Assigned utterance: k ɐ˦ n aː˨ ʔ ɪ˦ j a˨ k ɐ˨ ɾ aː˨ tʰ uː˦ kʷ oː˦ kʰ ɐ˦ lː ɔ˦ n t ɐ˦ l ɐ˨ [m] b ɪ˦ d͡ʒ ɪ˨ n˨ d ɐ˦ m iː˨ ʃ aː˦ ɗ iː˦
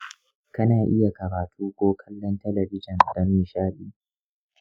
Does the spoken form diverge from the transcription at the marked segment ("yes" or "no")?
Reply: yes